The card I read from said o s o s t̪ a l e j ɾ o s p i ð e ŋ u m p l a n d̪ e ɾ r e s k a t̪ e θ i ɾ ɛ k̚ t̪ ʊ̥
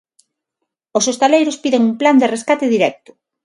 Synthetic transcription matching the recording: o s o s t̪ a l e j ɾ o s p i ð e ŋ u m p l a n d̪ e r e s k a t̪ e ð i ɾ ɛ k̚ t̪ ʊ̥